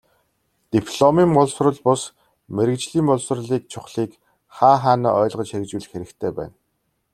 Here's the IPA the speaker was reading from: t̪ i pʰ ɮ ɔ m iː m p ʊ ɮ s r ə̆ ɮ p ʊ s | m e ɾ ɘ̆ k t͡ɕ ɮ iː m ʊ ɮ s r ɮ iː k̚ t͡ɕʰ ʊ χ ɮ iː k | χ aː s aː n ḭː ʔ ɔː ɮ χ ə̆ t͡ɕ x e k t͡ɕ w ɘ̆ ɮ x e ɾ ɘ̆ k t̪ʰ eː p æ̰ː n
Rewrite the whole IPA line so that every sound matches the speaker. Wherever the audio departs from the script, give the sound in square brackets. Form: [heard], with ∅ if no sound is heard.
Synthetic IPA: t̪ i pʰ ɮ ɔ m iː m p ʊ ɮ s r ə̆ ɮ p ʊ s | m e ɾ ɘ̆ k t͡ɕ ɮ iː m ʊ ɮ s r ɮ iː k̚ t͡ɕʰ ʊ χ ɮ iː k | χ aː [χ] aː n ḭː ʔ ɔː ɮ [ʁ] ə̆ t͡ɕ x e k t͡ɕ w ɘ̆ ɮ x e ɾ ɘ̆ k t̪ʰ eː p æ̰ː n